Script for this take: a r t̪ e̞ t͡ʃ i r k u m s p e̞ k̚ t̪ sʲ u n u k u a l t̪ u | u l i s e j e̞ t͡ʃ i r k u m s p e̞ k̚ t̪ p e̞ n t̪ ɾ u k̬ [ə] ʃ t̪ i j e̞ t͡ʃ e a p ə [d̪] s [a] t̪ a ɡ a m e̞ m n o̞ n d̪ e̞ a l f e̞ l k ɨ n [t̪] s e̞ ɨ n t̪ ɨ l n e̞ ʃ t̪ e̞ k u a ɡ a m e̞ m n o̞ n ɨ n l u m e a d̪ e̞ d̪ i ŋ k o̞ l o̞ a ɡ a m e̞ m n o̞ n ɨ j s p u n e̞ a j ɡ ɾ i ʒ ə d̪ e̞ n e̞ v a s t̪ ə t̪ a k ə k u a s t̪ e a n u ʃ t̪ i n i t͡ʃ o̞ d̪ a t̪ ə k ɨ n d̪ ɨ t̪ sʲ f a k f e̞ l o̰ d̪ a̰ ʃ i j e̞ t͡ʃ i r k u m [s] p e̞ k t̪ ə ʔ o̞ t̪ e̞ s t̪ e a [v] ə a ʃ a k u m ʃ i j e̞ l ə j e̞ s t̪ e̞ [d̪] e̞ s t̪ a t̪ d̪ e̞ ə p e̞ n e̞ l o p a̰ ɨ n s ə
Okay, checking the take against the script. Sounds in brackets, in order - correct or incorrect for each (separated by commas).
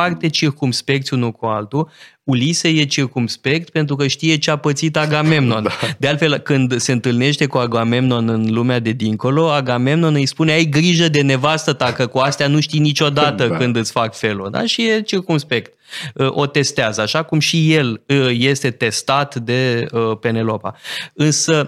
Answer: correct, incorrect, incorrect, incorrect, correct, incorrect, incorrect